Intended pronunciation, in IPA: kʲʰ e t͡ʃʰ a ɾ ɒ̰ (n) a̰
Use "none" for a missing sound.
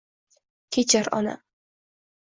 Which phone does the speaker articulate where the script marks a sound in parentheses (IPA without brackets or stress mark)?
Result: n